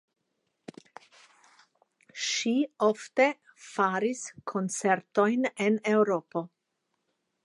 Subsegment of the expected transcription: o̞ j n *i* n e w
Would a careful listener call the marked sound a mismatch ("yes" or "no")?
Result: yes